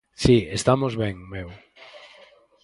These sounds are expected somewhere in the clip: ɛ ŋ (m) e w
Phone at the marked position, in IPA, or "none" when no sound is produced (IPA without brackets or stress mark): m